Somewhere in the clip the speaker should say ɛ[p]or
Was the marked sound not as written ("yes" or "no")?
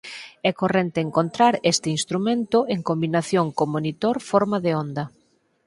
yes